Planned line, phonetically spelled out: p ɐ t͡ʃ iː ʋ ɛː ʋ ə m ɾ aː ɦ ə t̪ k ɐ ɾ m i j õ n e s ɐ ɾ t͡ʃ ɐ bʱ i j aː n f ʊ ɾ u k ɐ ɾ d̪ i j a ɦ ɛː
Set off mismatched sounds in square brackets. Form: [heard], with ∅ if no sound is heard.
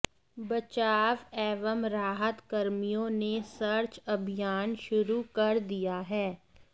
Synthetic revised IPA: [b] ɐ t͡ʃ [aː] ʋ ɛː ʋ ə m ɾ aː ɦ ə t̪ k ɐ ɾ m i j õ n e s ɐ ɾ t͡ʃ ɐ bʱ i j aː n [ʃ] ʊ ɾ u k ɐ ɾ d̪ i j a ɦ ɛː